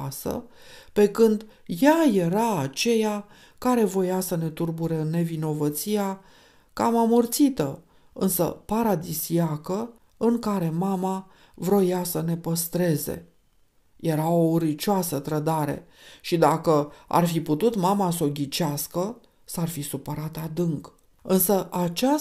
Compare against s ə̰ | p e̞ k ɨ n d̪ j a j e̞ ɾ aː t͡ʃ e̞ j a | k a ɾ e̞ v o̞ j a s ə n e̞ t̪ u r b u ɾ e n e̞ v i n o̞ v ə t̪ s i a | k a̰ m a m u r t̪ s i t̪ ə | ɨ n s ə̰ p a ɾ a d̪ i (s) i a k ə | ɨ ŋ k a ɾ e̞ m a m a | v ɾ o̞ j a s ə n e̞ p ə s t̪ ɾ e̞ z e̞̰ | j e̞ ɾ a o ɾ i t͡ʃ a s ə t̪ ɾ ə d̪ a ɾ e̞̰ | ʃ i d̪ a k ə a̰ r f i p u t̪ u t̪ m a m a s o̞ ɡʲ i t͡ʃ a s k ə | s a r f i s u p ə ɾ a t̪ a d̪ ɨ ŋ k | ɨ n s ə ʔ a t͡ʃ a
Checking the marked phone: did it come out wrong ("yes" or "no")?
no